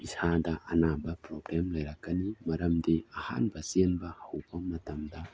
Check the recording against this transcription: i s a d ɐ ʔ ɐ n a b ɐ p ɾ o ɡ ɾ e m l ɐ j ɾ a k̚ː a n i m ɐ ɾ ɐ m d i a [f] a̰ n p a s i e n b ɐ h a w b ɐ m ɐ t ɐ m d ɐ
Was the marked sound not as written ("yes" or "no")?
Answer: yes